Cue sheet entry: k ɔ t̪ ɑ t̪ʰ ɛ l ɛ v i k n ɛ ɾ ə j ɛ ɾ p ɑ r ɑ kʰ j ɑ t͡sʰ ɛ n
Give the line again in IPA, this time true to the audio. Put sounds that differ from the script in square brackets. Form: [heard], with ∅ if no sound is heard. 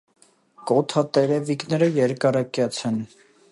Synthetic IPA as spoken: k ɔ [t̪ʰ] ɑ [t̪] ɛ [ɾ] ɛ v i k n ɛ ɾ ə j ɛ ɾ [k] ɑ [ɾ] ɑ [k] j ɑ t͡sʰ ɛ n